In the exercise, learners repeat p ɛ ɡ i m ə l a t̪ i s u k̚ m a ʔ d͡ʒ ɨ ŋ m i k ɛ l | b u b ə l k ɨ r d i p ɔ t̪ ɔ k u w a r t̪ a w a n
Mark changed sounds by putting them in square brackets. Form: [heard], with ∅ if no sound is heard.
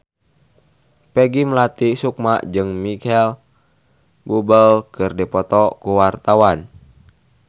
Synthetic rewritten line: p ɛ ɡ i m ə l a t̪ i s u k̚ m a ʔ d͡ʒ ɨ ŋ m i k ɛ l | b u b ə l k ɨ r d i p ɔ t̪ ɔ k u w a r t̪ a w a n